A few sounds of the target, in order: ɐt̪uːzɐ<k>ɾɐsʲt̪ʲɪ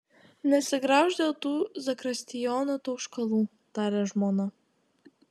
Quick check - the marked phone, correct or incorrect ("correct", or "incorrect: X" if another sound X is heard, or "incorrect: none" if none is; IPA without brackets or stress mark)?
correct